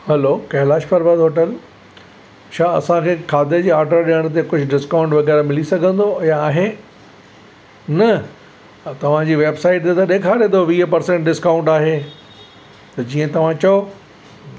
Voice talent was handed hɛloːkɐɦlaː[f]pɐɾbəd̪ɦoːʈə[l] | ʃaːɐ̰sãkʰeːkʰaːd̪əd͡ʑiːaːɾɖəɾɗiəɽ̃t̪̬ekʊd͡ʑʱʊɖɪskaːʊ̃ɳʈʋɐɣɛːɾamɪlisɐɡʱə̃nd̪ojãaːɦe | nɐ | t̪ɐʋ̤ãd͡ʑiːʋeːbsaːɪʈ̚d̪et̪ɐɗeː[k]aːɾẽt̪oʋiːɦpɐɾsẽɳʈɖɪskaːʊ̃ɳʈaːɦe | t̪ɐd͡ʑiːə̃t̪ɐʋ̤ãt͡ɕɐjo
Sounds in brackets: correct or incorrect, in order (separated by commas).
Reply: incorrect, correct, incorrect